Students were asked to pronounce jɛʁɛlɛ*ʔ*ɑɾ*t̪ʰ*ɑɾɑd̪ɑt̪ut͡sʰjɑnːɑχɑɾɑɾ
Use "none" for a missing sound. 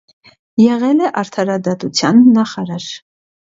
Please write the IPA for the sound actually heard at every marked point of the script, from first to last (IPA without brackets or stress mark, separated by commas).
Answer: ʔ, t̪ʰ